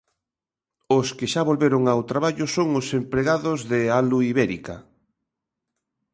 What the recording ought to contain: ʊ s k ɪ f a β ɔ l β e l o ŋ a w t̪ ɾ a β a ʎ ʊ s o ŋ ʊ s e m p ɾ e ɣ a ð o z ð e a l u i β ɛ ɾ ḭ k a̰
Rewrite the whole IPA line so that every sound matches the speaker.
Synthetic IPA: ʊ s k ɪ ʃ a β o l β e ɾ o ŋ a w t̪ ɾ a β a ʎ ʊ s o ŋ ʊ s e m p ɾ e ɣ a ð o z ð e a l u i β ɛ ɾ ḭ k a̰

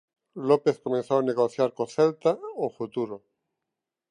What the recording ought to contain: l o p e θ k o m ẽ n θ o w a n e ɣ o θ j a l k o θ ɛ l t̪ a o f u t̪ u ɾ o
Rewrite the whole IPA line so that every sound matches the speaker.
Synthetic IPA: l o p e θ k o m ẽ n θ o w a n e ɣ o θ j a ɾ k o θ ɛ l t̪ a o f u t̪ u ɾ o

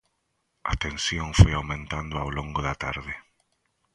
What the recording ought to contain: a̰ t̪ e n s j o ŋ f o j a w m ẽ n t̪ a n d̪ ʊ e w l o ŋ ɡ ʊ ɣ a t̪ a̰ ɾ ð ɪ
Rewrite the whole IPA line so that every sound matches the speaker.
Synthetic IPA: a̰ t̪ e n s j o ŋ f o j a w m ẽ n t̪ a n d̪ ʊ a w l o ŋ ɡ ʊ ð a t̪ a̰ ɾ ð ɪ

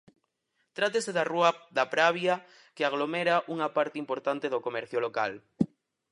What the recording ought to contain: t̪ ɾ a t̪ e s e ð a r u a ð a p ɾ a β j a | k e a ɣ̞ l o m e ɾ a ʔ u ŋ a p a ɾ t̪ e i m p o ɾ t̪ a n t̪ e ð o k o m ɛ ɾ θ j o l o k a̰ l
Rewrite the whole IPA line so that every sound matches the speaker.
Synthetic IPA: t̪ ɾ a t̪ e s e ð a r u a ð a p ɾ a β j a | k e a ɣ̞ l o m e ɾ a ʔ u ŋ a p a ɾ t̪ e i m p o ɾ t̪ a n t̪ e ð o k o m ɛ ɾ θ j o l o k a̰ l

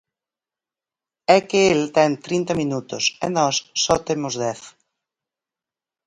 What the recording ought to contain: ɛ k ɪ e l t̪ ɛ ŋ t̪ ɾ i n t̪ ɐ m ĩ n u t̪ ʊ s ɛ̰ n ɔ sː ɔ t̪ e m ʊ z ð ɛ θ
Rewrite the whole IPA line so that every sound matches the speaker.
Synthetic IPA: ɛ k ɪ e l t̪ ɛ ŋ t̪ ɾ i n t̪ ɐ m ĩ n u t̪ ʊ s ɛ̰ n ɔ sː ɔ t̪ e m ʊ z ð ɛ θ

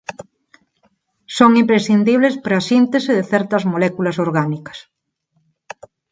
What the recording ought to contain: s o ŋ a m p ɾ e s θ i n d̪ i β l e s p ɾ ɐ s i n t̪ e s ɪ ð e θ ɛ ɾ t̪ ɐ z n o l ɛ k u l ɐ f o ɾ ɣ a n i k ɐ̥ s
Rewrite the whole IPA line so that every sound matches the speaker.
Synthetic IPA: s o ŋ i m p ɾ e s θ i n d̪ i β l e s p ɾ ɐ s i n t̪ e s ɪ ð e θ ɛ ɾ t̪ ɐ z m o l ɛ k u l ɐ s o ɾ ɣ a n i k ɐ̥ s

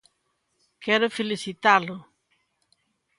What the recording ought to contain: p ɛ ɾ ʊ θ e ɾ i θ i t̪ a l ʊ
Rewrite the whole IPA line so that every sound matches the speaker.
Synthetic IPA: k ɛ ɾ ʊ f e l i s i t̪ a l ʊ

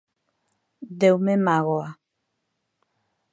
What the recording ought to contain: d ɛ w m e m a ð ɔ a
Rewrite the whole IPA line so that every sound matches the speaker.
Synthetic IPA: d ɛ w m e m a ɣ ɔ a

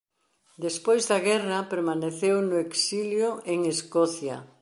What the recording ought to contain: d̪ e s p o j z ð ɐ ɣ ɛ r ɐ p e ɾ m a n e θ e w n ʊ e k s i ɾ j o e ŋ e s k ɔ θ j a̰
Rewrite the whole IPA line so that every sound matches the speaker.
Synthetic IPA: d̪ e s p o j z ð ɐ ɣ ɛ r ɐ p e ɾ m a n e θ e w n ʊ e k s i l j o e ŋ e s k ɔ θ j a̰

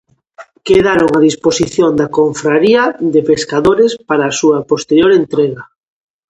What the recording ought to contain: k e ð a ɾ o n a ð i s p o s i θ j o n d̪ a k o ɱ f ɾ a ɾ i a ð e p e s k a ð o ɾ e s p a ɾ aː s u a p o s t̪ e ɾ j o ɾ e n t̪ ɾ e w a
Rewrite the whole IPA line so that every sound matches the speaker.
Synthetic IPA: k e ð a ɾ o ŋ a ð i s p o s i θ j o n d̪ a k o ɱ f ɾ a ɾ i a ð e p e s k a ð o ɾ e s p a ɾ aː s u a p o s t̪ e ɾ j o ɾ e n t̪ ɾ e ɣ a

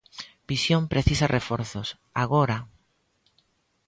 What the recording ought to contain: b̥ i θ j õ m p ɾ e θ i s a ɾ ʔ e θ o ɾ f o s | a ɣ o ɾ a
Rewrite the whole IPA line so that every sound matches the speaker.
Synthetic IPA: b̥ i s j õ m p ɾ e θ i s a r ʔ e f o ɾ θ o s | a ɣ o ɾ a

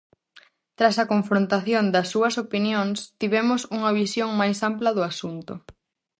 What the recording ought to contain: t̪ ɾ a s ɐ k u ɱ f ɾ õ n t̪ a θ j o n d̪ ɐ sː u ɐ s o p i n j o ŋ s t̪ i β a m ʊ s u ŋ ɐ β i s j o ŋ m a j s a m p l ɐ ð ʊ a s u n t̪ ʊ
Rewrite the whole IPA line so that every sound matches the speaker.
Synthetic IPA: t̪ ɾ a s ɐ k o ɱ f ɾ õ n t̪ a θ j o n d̪ ɐ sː u ɐ s o p i n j o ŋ s t̪ i β ɛ m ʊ s u ŋ ɐ β i s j o ŋ m a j s a m p l ɐ ð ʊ a s u n t̪ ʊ

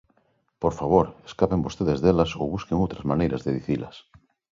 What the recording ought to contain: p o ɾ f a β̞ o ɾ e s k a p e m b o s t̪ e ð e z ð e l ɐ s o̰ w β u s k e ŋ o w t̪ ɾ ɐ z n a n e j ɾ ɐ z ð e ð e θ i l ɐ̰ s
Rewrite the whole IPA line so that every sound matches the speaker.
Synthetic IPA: p o ɾ f a β̞ o ɾ e s k a p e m b o s t̪ e ð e z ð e l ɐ s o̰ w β u s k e ŋ o w t̪ ɾ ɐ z m a n e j ɾ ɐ z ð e ð i θ i l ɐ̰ s

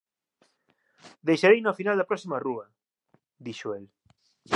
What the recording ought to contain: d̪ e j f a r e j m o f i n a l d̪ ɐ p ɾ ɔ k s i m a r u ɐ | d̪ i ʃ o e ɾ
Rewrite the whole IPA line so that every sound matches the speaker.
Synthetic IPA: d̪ e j ʃ a ɾ e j n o f i n a l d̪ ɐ p ɾ ɔ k s i m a r u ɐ | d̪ i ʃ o e l

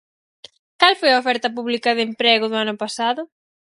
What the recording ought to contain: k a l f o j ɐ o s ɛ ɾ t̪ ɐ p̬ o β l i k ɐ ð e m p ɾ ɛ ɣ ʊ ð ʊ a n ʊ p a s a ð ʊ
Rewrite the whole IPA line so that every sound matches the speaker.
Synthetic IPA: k a l f o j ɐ o f ɛ ɾ t̪ ɐ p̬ u β l i k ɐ ð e m p ɾ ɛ ɣ ʊ ð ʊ a n ʊ p a s a ð ʊ

